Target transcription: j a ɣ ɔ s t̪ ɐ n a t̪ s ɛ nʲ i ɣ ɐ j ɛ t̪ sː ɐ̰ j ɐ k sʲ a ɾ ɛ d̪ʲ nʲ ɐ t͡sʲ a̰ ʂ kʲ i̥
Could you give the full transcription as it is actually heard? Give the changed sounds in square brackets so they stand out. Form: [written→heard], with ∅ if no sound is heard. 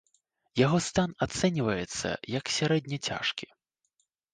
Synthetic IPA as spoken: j a ɣ ɔ s t̪ [ɐ→a] n a t̪ s ɛ nʲ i [ɣ→v] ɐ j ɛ t̪ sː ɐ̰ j ɐ k sʲ a ɾ ɛ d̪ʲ nʲ ɐ t͡sʲ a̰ ʂ kʲ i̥